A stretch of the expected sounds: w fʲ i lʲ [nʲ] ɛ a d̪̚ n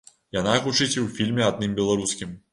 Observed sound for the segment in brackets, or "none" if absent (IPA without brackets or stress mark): mʲ